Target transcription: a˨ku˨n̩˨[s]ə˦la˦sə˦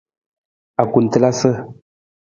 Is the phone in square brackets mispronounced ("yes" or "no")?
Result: yes